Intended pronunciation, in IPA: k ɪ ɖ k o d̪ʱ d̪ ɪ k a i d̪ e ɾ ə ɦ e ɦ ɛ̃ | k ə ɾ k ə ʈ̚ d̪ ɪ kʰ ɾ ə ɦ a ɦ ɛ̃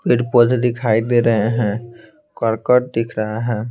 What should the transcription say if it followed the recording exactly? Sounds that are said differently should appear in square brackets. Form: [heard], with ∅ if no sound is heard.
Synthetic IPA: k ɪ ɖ [p] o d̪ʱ d̪ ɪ [kʰ] a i d̪ e ɾ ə ɦ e ɦ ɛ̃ | k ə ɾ k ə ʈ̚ d̪ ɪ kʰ ɾ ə ɦ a ɦ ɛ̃

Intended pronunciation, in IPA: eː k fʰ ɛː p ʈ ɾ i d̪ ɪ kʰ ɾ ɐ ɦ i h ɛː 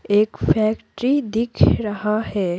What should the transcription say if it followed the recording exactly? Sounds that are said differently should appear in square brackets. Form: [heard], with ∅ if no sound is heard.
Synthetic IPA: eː k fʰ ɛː [k] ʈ ɾ i d̪ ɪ kʰ ɾ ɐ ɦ [a] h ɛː

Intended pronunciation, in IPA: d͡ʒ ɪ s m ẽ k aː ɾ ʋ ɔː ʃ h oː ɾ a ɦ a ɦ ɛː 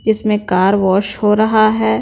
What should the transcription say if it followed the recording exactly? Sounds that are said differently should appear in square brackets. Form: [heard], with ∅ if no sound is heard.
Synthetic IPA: d͡ʒ ɪ s m ẽ k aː ɾ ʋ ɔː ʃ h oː ɾ [ɐ] ɦ a ɦ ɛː

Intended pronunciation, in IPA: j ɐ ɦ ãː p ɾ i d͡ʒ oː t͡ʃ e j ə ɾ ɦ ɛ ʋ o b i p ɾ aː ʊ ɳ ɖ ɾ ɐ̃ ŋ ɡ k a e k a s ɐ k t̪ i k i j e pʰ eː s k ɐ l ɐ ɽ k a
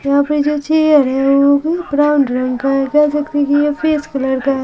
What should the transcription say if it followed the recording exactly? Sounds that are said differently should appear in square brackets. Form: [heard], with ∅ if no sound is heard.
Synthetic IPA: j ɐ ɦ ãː p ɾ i d͡ʒ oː t͡ʃ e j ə ɾ ɦ ɛ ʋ o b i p ɾ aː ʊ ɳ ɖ ɾ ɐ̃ ŋ ɡ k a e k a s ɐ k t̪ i k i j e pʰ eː s k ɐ l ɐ ɽ k a

